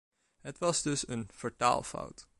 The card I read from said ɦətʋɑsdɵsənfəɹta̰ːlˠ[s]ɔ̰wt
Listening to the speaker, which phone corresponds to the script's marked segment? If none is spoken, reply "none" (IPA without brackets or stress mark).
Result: f